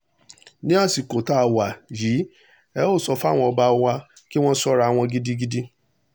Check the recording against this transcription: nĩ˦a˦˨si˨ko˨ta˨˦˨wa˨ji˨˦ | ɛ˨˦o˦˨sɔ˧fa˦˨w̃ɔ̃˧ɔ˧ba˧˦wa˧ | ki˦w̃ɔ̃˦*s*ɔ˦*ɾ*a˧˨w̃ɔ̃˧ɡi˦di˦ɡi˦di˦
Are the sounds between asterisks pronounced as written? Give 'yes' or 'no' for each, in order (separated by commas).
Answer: yes, yes